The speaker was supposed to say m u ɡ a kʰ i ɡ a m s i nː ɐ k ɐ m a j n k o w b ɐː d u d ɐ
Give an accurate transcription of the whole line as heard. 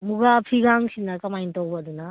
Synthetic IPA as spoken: m u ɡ a pʰ i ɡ a ŋ s i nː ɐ k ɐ m a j n t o w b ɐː d u n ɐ